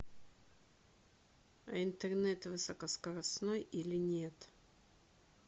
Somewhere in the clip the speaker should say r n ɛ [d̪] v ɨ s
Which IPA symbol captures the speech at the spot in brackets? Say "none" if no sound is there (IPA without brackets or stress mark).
t̪